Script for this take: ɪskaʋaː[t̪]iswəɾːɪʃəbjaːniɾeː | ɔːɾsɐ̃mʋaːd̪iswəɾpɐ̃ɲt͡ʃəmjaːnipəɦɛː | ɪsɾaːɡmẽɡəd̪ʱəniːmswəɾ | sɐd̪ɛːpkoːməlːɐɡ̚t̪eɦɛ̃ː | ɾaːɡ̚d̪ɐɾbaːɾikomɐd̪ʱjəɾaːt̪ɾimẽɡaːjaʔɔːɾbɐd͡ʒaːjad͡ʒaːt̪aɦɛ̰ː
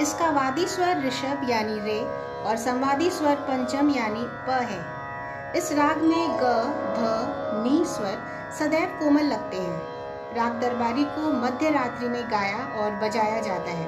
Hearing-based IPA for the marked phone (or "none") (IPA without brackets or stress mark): d̪